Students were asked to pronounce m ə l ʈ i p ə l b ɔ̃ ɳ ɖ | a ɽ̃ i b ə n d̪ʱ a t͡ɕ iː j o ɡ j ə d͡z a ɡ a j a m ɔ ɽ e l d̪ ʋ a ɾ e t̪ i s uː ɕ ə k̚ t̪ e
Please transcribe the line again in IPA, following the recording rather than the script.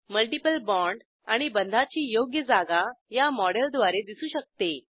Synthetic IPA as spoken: m ə l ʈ i p ə l b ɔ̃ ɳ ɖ | a ɽ̃ i b ə n d̪ʱ a t͡ɕ iː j o ɡ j ə d͡z a ɡ a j a m ɔ ɽ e l d̪ ʋ a ɾ e d̪ i s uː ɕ ə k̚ t̪ e